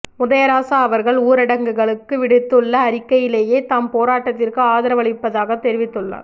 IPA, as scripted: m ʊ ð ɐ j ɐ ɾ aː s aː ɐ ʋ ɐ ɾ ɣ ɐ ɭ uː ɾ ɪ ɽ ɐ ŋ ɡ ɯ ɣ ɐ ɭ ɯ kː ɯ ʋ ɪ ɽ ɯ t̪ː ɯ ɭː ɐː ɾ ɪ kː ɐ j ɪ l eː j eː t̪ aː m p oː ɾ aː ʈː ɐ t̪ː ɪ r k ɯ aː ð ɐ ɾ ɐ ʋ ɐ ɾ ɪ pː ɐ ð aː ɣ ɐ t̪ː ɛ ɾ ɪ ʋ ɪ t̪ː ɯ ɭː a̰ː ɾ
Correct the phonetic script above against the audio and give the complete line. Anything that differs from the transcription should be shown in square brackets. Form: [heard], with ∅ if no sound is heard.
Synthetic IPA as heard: m ʊ ð ɐ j ɐ ɾ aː s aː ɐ ʋ ɐ ɾ ɣ ɐ ɭ uː ɾ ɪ ɽ ɐ ŋ ɡ ɯ ɣ ɐ ɭ ɯ kː ɯ ʋ ɪ ɽ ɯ t̪ː ɯ ɭː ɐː ɾ ɪ kː ɐ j ɪ l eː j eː t̪ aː m p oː ɾ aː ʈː ɐ t̪ː ɪ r k ɯ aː ð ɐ ɾ ɐ ʋ ɐ [ɭ] ɪ pː ɐ ð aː ɣ ɐ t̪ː ɛ ɾ ɪ ʋ ɪ t̪ː ɯ ɭː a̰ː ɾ